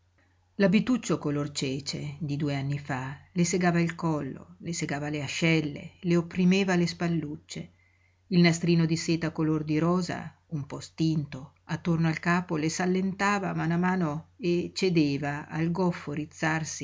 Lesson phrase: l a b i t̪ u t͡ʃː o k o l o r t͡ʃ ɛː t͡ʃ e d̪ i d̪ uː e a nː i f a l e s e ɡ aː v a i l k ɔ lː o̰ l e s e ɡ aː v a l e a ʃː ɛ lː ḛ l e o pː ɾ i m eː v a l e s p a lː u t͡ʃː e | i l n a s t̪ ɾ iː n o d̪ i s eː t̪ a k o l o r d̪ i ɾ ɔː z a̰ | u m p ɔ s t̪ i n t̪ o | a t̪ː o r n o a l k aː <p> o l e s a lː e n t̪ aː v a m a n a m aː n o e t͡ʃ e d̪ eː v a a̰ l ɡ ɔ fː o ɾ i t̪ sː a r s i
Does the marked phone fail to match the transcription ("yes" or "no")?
no